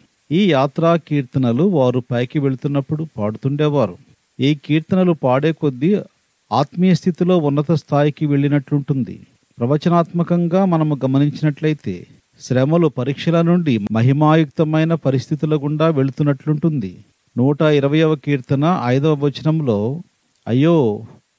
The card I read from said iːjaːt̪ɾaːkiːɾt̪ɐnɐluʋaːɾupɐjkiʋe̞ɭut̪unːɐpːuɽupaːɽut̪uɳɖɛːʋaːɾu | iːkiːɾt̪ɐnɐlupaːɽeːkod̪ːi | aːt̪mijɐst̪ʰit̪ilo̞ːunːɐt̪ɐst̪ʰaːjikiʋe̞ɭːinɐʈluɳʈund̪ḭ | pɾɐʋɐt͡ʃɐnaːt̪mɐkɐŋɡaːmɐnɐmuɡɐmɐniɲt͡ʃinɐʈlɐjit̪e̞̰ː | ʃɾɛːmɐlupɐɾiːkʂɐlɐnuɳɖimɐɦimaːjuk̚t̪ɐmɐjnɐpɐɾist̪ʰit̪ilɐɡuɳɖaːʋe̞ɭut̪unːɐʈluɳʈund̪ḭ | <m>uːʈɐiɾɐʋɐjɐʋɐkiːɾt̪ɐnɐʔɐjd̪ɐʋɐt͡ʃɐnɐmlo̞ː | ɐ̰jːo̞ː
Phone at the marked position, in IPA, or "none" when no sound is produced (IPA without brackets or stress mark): n